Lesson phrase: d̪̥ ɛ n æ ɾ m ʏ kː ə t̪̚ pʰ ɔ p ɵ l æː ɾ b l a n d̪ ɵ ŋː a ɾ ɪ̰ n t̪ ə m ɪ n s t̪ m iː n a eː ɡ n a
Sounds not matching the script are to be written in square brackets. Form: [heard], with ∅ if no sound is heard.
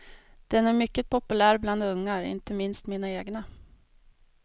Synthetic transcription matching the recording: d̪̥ ɛ n æ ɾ m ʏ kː ə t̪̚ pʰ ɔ p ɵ l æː ɾ b l a n d̪ ɵ ŋː a ɾ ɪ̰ n t̪ ə m ɪ n s t̪ m iː n a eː ɡ n a